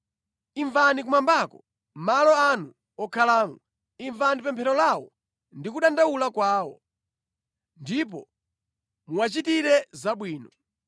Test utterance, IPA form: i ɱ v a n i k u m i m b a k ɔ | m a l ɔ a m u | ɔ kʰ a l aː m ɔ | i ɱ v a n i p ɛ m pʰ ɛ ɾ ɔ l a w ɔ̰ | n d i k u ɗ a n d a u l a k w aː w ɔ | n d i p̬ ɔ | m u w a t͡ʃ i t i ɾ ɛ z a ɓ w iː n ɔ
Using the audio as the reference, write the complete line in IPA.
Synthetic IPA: i ɱ v a n i k u m a m b a k ɔ | m a l ɔ a n u | ɔ kʰ a l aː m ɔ | i ɱ v a n i p ɛ m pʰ ɛ ɾ ɔ l a w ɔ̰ | n d i k u ɗ a n d a u l a k w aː w ɔ | n d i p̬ ɔ | m u w a t͡ʃ i t i ɾ ɛ z a ɓ w iː n ɔ